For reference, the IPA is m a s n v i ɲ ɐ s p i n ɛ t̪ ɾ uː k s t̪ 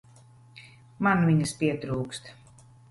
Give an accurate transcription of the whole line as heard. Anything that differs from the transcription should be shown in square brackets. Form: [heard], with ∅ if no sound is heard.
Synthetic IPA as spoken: m a [∅] n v i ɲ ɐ s p i [∅] ɛ t̪ ɾ uː k s t̪